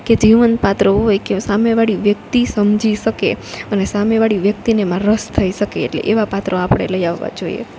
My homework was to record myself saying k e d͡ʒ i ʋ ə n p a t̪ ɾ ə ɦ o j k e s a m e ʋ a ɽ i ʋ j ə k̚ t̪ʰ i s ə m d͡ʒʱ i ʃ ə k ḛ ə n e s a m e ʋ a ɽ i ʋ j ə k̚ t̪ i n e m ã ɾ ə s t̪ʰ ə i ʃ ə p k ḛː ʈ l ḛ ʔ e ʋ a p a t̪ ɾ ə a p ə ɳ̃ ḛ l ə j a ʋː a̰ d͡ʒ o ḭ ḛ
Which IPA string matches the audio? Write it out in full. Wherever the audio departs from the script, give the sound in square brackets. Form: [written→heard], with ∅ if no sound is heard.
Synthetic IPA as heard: k e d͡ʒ i ʋ ə n p a t̪ ɾ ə ɦ o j k e s a m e ʋ a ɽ i ʋ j ə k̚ [t̪ʰ→t̪] i s ə m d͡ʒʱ i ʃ ə k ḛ ə n e s a m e ʋ a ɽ i ʋ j ə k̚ t̪ i n e m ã ɾ ə s t̪ʰ ə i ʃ ə [p→∅] k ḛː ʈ l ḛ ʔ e ʋ a p a t̪ ɾ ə a p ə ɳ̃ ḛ l ə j a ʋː a̰ d͡ʒ o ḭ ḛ